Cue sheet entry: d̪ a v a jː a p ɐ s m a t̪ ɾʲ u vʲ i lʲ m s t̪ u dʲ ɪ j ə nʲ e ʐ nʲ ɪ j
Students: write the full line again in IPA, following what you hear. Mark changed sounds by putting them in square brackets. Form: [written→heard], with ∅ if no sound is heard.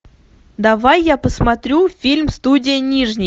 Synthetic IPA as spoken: d̪ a v a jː a p [ɐ→ə] s m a t̪ ɾʲ u [vʲ→fʲ] i lʲ m s t̪ u dʲ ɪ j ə nʲ [e→i] ʐ nʲ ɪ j